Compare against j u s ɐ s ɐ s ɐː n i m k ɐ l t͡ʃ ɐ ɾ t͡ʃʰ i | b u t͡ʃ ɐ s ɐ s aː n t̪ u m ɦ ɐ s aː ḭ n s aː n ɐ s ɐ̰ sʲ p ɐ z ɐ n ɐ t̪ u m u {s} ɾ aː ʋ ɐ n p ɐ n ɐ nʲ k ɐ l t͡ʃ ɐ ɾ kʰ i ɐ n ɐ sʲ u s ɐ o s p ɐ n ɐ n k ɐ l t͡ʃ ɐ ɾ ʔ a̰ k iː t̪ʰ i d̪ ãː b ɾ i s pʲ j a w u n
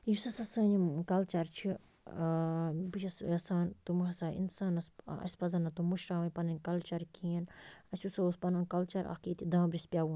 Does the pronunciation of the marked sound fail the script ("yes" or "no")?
yes